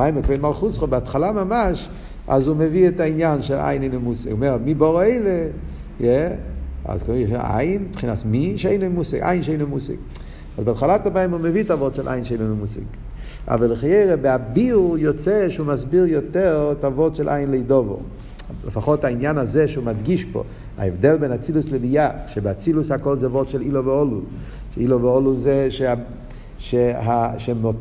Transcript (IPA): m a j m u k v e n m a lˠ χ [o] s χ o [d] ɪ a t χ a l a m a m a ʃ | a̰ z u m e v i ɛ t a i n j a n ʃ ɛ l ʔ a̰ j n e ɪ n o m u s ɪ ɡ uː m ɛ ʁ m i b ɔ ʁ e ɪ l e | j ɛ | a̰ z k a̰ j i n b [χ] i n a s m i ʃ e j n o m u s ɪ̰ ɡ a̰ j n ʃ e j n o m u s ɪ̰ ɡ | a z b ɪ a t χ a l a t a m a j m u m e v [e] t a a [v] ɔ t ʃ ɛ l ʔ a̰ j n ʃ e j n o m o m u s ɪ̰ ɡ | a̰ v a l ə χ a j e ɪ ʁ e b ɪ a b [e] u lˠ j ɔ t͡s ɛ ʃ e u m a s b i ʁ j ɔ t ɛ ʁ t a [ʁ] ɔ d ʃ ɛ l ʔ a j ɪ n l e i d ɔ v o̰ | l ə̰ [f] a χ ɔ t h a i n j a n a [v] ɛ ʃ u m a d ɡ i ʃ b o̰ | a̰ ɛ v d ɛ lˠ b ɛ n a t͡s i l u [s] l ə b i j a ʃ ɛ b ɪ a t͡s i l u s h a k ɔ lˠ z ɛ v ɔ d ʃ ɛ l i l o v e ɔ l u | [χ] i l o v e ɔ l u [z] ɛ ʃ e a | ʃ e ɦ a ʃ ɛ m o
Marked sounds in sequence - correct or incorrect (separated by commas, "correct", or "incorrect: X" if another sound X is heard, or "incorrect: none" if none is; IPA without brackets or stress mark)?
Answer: incorrect: u, incorrect: b, correct, incorrect: i, correct, incorrect: i, incorrect: v, correct, incorrect: z, correct, incorrect: ʃ, correct